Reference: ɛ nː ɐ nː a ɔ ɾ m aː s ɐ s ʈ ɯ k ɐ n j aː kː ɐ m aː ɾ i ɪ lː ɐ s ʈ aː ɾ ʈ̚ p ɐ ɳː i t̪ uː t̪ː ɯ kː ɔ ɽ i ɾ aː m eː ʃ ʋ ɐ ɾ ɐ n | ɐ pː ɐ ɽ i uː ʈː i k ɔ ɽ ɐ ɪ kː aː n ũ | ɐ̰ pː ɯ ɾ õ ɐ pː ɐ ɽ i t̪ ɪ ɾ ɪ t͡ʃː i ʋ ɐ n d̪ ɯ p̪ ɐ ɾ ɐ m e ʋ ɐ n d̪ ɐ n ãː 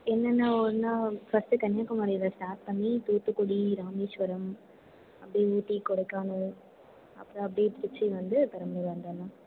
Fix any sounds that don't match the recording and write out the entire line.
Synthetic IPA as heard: ɛ nː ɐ nː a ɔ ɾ n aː f ɐ s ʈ ɯ k ɐ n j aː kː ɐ m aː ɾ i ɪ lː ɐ s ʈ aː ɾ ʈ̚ p ɐ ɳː i t̪ uː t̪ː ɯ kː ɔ ɽ i ɾ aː m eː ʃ ʋ ɐ ɾ ɐ m | ɐ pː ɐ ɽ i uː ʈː i k ɔ ɽ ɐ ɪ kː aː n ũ | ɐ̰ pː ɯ ɾ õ ɐ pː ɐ ɽ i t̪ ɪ ɾ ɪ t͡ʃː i ʋ ɐ n d̪ ɯ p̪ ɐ ɾ ɐ m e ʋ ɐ n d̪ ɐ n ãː

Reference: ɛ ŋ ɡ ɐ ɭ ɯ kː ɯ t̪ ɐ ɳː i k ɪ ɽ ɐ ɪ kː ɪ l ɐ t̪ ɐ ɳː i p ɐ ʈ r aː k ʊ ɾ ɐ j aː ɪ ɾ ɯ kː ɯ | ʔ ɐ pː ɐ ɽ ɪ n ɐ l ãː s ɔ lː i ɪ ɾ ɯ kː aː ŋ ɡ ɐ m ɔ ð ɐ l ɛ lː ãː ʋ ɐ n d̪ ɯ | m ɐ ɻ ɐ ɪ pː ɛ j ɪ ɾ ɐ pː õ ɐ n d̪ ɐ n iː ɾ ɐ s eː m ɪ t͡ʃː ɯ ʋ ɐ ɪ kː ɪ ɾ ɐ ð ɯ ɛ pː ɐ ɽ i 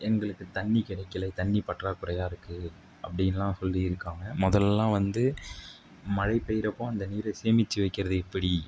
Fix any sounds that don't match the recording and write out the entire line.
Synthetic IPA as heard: ɛ ŋ ɡ ɐ ɭ ɯ kː ɯ t̪ ɐ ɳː i k ɪ ɽ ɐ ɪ kː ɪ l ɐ t̪ ɐ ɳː i p ɐ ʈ r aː k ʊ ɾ ɐ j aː ɪ ɾ ɯ kː ɯ | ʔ ɐ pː ɐ ɽ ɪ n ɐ l ãː s ɔ lː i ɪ ɾ ɯ kː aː ŋ ɡ ɐ m ɔ ð ɐ l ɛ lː ãː ʋ ɐ n d̪ ɯ | m ɐ ɻ ɐ ɪ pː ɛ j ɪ ɾ ɐ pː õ ɐ n d̪ ɐ n iː ɾ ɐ s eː m ɪ t͡ʃː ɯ ʋ ɐ ɪ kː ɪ ɾ ɐ ð ɯ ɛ pː ɐ ɽ i

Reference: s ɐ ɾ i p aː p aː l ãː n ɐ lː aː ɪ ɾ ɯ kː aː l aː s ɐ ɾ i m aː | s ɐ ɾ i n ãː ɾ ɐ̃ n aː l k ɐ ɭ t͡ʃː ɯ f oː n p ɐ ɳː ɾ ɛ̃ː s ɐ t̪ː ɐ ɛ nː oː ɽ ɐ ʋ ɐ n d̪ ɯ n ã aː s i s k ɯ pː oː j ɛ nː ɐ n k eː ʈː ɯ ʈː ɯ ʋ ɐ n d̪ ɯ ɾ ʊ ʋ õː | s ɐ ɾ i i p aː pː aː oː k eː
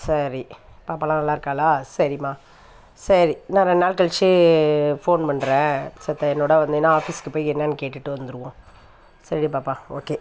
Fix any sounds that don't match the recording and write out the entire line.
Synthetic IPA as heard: s ɐ ɾ i p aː p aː l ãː n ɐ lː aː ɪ ɾ ɯ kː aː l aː s ɐ ɾ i m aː | s ɐ ɾ i n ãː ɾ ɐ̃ n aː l k ɐ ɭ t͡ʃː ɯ f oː n p ɐ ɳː ɾ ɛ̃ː s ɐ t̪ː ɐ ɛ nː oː ɽ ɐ ʋ ɐ n d̪ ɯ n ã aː f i s k ɯ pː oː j ɛ nː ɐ n k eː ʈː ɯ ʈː ɯ ʋ ɐ n d̪ ɯ ɾ ɯ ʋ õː | s ɐ ɾ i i p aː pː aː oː k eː

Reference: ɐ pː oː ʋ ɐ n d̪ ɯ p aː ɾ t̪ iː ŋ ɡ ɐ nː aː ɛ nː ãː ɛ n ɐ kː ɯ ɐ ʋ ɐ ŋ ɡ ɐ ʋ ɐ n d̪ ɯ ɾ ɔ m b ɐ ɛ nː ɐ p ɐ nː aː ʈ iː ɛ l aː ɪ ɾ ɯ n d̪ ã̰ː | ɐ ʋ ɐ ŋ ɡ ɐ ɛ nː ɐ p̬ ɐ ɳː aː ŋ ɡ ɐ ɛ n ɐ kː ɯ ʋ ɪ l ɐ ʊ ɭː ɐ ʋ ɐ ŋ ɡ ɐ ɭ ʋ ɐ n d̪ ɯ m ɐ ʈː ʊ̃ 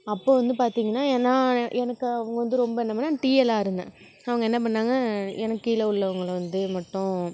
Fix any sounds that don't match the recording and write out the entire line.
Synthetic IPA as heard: ɐ pː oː ʋ ɐ n d̪ ɯ p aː ɾ t̪ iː ŋ ɡ ɐ nː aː ɛ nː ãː ɛ n ɐ kː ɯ ɐ ʋ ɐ ŋ ɡ ɐ ʋ ɐ n d̪ ɯ ɾ ɔ m b ɐ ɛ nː ɐ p ɐ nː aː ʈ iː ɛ l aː ɪ ɾ ɯ n d̪ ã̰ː | ɐ ʋ ɐ ŋ ɡ ɐ ɛ nː ɐ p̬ ɐ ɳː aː ŋ ɡ ɐ ɛ n ɐ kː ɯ ɪ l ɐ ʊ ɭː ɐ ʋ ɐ ŋ ɡ ɐ ɭ ʋ ɐ n d̪ ɯ m ɐ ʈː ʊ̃

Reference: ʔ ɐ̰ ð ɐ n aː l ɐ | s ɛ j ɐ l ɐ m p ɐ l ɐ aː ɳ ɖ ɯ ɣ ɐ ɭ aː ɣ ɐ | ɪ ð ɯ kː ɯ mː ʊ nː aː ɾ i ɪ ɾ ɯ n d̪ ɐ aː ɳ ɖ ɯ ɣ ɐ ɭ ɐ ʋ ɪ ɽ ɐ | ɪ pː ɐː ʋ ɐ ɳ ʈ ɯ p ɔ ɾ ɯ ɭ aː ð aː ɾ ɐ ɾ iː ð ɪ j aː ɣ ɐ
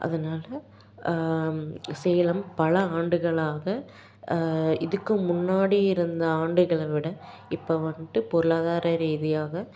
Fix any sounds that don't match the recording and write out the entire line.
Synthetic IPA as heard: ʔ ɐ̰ ð ɐ n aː l ɐ | s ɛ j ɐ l ɐ m p ɐ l ɐ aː ɳ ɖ ɯ ɣ ɐ ɭ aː ɣ ɐ | ɪ ð ɯ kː ɯ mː ʊ nː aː ɽ i ɪ ɾ ɯ n d̪ ɐ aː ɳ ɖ ɯ ɣ ɐ ɭ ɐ ʋ ɪ ɽ ɐ | ɪ pː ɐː ʋ ɐ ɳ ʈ ɯ p ɔ ɾ ɯ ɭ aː ð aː ɾ ɐ ɾ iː ð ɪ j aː ɣ ɐ

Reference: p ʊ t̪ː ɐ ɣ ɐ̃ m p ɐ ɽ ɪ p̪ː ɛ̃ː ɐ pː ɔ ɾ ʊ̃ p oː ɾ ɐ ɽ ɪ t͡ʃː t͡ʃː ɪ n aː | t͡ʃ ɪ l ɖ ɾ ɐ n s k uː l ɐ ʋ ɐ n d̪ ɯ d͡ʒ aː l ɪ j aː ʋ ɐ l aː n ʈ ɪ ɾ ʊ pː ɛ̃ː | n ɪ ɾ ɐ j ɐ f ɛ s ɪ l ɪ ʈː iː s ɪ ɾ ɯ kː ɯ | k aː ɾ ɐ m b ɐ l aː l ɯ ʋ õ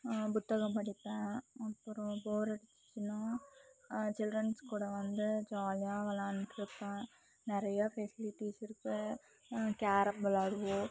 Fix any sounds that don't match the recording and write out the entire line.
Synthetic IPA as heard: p ʊ t̪ː ɐ ɣ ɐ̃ m p ɐ ɽ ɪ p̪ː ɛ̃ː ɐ pː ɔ ɾ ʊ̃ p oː ɾ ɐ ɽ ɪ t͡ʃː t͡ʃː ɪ n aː | t͡ʃ ɪ l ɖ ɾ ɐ n s k uː ɽ ɐ ʋ ɐ n d̪ ɯ d͡ʒ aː l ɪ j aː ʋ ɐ l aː n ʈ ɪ ɾ ɯ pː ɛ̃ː | n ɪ ɾ ɐ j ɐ f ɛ s ɪ l ɪ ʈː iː s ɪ ɾ ɯ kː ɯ | k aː ɾ ɐ m b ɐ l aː ɽ ɯ ʋ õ

